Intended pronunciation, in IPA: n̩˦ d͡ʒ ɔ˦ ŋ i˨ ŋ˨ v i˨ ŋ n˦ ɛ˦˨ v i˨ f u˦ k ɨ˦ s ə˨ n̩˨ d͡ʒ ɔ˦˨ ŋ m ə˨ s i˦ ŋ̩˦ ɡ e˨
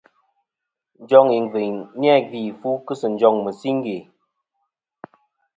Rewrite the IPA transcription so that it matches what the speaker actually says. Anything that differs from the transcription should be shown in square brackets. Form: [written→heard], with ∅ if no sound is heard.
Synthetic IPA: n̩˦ d͡ʒ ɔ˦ ŋ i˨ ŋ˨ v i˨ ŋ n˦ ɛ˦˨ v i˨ f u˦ k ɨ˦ s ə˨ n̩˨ d͡ʒ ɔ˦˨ ŋ m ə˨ s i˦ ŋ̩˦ ɡ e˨